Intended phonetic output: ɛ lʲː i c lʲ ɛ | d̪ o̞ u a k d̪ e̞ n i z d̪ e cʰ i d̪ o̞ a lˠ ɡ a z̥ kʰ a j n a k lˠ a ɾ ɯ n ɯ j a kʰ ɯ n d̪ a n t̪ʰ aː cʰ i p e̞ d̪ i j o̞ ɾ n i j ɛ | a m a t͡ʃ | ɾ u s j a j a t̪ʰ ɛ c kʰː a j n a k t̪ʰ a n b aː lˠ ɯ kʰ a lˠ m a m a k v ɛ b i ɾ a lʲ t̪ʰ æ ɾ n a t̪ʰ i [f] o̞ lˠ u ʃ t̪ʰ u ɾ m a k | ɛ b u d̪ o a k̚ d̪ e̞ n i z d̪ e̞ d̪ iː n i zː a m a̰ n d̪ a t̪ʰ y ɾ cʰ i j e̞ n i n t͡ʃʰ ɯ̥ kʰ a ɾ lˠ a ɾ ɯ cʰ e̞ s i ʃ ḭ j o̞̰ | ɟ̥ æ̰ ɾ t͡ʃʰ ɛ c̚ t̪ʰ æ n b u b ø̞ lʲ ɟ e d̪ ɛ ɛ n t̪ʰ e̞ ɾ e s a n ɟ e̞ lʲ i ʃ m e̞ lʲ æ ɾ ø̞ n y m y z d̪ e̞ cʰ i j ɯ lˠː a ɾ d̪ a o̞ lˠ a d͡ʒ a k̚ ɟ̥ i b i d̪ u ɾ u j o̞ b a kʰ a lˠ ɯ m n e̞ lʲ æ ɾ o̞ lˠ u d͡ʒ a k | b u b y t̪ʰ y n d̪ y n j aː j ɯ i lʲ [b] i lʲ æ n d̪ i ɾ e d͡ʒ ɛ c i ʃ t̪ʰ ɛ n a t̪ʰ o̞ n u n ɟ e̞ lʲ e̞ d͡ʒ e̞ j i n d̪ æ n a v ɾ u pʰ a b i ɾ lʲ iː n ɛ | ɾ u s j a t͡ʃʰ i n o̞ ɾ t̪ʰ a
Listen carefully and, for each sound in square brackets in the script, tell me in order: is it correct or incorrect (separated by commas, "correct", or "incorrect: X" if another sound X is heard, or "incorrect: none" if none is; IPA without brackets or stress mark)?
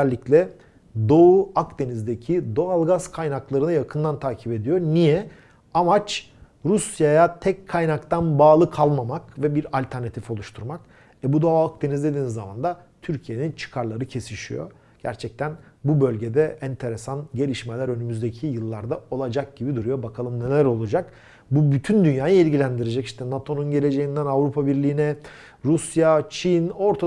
correct, incorrect: ɟ